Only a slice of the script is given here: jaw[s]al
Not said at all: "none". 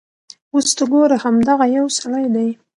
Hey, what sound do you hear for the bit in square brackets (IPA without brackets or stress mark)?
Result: s